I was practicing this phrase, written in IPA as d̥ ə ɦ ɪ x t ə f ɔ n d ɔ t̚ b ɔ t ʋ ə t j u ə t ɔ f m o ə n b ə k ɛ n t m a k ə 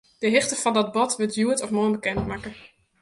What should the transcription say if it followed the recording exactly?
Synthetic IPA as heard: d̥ ə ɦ ɪ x t ə f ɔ n d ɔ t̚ b ɔ t ʋ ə t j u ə t ɔ f m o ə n b ə k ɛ n t m a k ə